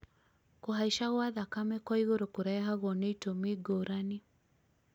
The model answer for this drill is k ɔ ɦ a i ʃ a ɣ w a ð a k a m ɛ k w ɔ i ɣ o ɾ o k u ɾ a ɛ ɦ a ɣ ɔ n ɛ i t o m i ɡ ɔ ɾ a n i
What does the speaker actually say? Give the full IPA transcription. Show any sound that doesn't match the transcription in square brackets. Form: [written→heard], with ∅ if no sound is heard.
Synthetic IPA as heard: k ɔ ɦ a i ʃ a ɣ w a ð a k a m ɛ k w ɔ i ɣ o ɾ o k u ɾ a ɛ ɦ a ɣ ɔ n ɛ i t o m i ɡ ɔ ɾ a n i